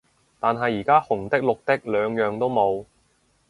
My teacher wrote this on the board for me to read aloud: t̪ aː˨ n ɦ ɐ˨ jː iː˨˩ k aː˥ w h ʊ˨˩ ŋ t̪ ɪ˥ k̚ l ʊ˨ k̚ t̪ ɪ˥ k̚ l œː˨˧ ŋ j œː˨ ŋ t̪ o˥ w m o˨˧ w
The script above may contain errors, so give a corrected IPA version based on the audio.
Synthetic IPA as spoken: t̪ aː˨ n ɦ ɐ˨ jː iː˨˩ k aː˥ h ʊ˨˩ ŋ t̪ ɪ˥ k̚ l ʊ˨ k̚ t̪ ɪ˥ k̚ l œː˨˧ ŋ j œː˨ ŋ t̪ o˥ w m o˨˧ w